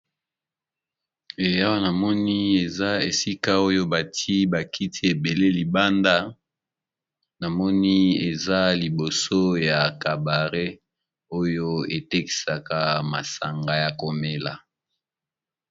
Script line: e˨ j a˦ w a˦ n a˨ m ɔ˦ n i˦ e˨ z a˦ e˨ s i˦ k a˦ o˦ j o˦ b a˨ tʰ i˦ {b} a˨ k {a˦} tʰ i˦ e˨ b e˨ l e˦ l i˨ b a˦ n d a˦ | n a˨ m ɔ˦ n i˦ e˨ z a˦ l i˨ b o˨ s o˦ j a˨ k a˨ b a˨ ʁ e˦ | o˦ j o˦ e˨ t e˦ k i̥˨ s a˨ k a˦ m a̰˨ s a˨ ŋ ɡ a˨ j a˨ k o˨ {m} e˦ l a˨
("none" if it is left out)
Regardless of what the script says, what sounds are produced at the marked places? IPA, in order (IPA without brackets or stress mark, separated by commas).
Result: b, i˦, m